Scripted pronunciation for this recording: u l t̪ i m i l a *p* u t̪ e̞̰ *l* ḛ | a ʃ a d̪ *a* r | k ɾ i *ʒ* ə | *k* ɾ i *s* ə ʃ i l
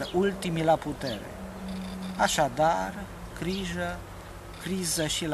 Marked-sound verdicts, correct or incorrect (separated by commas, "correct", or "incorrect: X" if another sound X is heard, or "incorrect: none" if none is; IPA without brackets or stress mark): correct, incorrect: ɾ, correct, correct, correct, incorrect: z